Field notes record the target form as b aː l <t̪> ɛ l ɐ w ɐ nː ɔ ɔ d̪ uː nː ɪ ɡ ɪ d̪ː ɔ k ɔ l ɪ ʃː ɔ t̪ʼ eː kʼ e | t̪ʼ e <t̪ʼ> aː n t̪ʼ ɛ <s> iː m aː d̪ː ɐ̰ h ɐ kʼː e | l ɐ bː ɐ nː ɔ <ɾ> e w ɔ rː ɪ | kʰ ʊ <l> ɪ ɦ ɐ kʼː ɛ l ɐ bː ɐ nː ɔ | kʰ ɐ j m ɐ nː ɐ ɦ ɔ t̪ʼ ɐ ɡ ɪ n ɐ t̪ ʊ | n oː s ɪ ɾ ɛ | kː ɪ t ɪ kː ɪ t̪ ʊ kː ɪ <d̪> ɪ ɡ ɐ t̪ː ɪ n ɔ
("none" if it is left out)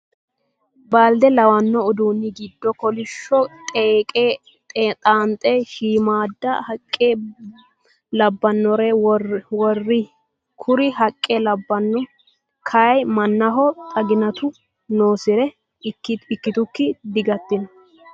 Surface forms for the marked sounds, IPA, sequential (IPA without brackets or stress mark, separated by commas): d̪, t̪ʼ, ʃ, ɾ, ɾ, d̪